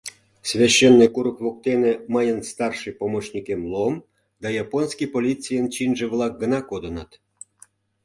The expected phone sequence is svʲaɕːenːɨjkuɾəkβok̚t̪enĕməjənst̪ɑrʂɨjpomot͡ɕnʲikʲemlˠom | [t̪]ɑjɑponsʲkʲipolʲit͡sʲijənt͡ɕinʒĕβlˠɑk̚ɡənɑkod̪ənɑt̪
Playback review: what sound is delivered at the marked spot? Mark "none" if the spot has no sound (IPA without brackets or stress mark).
d̪